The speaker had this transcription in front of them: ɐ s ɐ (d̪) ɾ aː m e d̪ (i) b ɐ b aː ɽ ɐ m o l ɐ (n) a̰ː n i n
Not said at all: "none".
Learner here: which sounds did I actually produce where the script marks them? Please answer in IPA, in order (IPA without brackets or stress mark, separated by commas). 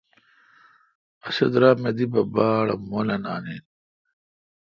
d̪, i, n